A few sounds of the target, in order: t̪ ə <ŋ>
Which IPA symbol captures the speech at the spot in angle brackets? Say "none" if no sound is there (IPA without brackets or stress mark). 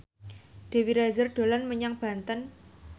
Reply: n